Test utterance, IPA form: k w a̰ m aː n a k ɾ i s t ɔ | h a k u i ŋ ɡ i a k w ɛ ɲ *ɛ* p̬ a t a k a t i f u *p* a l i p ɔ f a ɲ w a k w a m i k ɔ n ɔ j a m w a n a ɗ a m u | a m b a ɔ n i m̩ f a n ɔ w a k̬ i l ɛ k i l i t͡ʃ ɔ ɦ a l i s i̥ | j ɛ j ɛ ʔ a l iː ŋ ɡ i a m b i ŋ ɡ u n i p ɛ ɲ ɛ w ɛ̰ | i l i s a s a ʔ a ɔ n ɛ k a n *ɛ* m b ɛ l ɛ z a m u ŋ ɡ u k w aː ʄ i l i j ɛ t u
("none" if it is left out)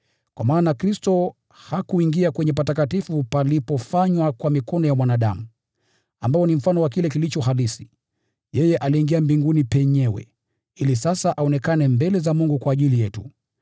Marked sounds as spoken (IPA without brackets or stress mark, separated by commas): ɛ, p, ɛ